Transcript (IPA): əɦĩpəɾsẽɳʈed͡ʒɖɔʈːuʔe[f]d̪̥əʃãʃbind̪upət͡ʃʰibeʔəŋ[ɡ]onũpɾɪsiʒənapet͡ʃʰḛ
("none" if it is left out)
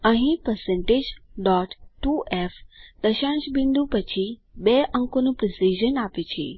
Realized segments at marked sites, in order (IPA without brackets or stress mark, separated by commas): f, k